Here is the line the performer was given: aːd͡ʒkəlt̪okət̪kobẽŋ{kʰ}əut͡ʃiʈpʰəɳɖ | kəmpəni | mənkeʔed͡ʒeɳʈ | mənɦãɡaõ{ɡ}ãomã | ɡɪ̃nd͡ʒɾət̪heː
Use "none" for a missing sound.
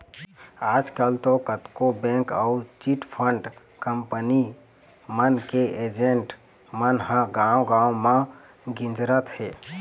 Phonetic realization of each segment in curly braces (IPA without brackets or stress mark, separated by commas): k, ɡ